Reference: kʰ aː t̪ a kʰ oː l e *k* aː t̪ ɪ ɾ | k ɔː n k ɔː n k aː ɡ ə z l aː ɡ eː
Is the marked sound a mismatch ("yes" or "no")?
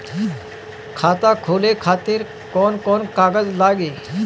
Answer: yes